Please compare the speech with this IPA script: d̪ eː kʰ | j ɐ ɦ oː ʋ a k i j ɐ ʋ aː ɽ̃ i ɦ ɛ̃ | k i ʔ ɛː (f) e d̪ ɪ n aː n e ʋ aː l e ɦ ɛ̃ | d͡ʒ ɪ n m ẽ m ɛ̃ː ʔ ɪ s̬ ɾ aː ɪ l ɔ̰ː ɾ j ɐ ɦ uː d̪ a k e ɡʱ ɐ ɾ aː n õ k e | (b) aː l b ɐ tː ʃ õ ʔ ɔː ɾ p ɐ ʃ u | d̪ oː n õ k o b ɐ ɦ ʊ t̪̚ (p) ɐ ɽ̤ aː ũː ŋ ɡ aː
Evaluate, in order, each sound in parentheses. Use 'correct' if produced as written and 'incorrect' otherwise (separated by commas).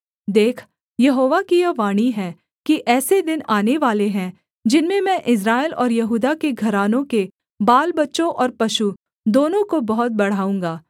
incorrect, correct, incorrect